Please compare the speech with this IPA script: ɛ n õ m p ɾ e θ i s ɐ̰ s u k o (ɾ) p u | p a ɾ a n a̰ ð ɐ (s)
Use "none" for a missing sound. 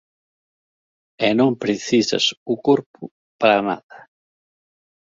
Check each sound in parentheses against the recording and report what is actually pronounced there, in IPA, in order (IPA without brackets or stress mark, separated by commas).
ɾ, none